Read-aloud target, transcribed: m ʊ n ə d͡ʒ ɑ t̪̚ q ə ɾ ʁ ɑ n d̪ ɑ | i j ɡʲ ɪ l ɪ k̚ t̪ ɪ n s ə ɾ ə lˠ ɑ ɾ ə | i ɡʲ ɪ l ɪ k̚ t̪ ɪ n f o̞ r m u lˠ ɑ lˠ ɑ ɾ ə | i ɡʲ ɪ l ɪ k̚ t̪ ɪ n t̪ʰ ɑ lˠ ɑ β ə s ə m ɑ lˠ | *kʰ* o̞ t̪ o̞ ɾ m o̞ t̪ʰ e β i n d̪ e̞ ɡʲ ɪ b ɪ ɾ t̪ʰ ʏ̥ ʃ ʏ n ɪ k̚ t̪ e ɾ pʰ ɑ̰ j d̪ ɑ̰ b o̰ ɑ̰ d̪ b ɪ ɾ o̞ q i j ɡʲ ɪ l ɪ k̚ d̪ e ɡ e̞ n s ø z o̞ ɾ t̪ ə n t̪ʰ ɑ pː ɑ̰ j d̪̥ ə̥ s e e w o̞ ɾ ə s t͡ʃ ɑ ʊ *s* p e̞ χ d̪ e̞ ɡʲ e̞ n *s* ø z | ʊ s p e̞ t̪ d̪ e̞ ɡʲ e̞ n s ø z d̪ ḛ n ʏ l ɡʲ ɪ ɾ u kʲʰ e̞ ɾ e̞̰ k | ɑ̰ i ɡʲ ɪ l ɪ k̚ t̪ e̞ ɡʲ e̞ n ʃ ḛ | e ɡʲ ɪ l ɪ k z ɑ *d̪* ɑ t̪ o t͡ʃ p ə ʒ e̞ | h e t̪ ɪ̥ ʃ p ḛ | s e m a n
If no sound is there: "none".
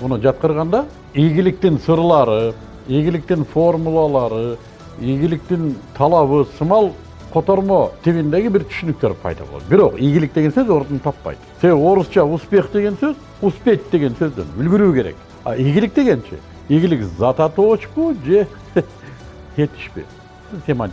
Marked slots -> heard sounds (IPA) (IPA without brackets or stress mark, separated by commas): qʰ, s, s, t̪